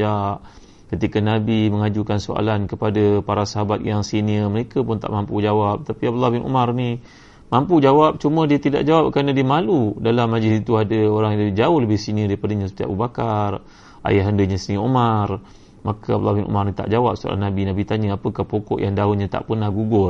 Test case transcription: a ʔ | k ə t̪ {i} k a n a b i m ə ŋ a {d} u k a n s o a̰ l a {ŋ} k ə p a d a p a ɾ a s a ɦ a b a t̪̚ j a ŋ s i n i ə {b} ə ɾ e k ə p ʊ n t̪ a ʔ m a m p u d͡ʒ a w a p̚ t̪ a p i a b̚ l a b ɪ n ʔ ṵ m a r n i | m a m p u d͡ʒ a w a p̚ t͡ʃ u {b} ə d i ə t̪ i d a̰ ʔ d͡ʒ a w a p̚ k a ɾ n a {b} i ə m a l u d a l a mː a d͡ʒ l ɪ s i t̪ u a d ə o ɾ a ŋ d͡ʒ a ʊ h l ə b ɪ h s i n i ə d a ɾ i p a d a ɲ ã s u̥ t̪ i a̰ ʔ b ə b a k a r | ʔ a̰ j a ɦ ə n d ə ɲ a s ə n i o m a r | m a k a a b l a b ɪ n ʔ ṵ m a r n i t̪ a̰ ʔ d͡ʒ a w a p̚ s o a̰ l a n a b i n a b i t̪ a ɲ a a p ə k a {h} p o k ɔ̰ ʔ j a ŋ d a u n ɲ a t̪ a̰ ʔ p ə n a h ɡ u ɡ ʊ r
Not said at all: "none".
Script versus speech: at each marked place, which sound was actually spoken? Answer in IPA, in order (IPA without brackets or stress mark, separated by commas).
i, d͡ʒ, n, m, m, d, h